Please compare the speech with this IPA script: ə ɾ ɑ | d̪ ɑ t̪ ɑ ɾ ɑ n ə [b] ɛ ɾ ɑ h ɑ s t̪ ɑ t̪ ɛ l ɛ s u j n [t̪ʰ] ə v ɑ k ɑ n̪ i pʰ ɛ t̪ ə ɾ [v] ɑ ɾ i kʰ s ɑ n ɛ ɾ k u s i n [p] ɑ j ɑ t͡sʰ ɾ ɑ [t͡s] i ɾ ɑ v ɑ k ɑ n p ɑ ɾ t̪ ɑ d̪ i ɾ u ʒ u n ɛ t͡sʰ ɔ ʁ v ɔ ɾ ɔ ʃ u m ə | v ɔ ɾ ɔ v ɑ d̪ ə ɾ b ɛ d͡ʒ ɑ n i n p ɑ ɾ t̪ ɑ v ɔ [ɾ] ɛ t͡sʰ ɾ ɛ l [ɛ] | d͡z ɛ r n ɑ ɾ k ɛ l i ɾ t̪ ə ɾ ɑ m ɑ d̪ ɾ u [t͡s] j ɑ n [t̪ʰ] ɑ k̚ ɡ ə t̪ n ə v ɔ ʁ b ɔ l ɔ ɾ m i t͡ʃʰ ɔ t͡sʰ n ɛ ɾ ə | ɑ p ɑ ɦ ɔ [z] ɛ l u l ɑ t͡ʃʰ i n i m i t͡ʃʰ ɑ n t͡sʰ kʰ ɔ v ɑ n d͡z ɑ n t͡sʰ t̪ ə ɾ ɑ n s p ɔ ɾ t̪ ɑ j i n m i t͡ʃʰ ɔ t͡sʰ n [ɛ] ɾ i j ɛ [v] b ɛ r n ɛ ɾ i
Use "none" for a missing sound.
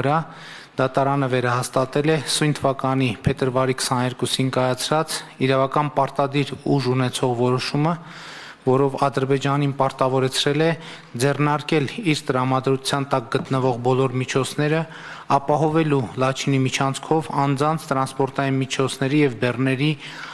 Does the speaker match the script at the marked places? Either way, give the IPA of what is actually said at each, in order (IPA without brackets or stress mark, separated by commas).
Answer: v, t̪ʰ, v, k, t͡s, ɾ, ɛ, t͡sʰ, t̪, v, ɛ, v